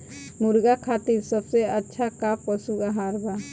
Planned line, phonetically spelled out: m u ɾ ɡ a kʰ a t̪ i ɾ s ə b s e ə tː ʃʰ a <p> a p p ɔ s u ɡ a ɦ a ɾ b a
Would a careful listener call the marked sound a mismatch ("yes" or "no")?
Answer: yes